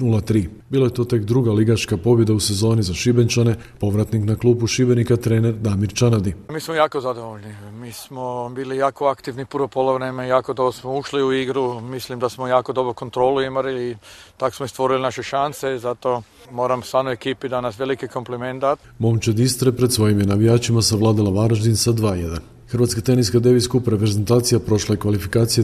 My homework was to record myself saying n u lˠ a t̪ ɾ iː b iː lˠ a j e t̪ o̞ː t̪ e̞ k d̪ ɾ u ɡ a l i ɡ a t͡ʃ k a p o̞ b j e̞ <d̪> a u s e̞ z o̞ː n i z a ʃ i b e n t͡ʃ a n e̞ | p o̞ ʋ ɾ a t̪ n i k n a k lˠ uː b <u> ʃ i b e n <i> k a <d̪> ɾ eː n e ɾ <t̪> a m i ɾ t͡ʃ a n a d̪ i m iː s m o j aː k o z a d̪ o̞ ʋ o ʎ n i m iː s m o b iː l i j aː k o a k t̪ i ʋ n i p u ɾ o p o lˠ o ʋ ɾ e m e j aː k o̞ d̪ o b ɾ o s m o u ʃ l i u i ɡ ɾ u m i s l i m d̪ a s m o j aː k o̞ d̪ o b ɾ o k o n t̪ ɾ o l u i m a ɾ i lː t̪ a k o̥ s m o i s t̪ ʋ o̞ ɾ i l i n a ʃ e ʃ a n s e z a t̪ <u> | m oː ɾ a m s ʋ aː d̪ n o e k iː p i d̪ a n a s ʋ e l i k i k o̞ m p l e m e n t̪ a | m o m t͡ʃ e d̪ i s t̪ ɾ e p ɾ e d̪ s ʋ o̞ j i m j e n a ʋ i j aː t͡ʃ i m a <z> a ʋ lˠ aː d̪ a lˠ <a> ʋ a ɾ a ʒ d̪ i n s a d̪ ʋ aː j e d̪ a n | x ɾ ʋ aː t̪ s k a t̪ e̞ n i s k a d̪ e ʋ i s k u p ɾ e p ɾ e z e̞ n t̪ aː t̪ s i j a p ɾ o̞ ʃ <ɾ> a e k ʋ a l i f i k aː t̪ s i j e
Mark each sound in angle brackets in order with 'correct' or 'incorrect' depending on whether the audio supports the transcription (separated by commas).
correct, correct, correct, incorrect, incorrect, incorrect, incorrect, correct, incorrect